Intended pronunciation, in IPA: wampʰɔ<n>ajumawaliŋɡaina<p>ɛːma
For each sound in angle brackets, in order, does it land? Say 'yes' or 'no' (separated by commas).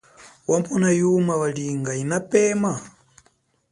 yes, yes